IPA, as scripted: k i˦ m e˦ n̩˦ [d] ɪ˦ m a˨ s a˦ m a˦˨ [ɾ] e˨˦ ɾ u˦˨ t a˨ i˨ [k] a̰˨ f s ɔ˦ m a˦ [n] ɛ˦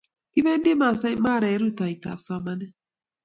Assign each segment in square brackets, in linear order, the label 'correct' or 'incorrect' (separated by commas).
correct, correct, incorrect, correct